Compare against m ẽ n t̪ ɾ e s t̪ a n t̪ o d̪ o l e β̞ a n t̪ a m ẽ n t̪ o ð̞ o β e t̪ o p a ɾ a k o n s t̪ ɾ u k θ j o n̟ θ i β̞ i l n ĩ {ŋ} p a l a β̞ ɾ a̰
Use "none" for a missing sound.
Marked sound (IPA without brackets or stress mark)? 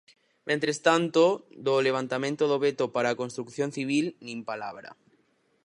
m